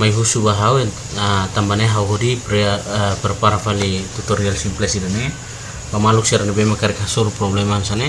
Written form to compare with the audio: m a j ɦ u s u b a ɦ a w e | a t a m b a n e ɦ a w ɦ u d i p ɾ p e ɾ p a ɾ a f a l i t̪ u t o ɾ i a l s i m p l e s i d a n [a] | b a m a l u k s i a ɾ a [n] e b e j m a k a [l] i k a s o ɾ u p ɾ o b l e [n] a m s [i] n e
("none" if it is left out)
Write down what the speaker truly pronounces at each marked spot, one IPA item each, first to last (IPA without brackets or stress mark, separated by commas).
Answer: e, n, ɾ, m, a